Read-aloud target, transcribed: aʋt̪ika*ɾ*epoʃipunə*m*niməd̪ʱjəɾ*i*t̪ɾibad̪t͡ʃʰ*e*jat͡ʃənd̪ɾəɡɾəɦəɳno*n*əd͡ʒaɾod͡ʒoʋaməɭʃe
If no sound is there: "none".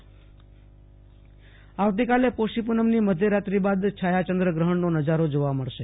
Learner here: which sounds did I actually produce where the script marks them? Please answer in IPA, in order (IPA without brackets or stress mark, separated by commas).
l, m, a, a, n